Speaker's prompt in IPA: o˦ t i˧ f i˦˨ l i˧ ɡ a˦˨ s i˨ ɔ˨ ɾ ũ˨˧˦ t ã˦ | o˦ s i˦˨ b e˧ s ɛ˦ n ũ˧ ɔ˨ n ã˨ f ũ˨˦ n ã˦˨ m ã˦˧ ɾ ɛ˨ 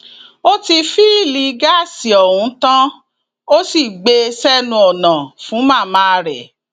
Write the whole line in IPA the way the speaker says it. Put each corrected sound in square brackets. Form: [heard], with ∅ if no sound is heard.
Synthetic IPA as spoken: o˦ t i˧ f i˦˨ l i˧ ɡ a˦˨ s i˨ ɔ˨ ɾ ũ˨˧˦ t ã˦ | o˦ s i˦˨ [ɡ͡b] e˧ s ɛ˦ n ũ˧ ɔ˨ n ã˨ f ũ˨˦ [m] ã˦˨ m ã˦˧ ɾ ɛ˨